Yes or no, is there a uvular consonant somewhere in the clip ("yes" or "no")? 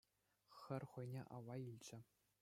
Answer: yes